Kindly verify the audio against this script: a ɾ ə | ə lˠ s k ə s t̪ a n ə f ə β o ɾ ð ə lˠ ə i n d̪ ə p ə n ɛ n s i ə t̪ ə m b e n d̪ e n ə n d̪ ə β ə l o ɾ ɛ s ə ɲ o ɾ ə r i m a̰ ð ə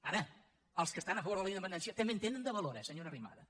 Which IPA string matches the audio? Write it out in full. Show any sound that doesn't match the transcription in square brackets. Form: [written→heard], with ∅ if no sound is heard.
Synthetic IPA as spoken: a ɾ ə | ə lˠ s k ə s t̪ a n ə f ə β o ɾ ð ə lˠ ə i n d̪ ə p ə n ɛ n s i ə t̪ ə m b e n [d̪→t̪] e n ə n d̪ ə β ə l o ɾ ɛ s ə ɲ o ɾ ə r i m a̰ ð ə